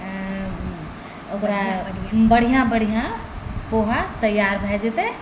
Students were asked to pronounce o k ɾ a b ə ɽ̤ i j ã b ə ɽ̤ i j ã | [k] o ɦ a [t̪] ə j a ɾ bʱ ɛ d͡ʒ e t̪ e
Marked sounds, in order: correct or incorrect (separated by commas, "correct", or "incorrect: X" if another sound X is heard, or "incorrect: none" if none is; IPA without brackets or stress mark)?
incorrect: p, correct